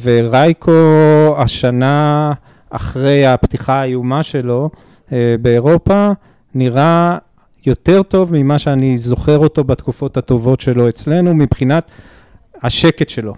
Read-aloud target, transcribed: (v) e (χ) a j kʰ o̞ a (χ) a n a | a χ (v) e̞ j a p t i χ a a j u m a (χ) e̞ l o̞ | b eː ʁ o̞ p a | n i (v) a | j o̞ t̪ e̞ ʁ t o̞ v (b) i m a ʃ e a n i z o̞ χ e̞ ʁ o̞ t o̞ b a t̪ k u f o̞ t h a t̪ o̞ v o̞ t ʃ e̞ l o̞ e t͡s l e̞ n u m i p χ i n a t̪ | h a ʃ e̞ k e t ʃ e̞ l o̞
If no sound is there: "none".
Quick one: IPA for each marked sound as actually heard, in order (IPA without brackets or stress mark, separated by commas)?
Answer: v, ʁ, ʃ, ʁ, ʃ, ʁ, m